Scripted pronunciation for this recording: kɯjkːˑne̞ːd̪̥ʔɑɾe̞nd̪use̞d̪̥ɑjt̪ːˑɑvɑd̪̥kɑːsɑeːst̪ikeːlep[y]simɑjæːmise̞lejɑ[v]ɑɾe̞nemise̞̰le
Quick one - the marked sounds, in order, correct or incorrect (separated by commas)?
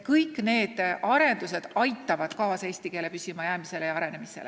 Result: correct, incorrect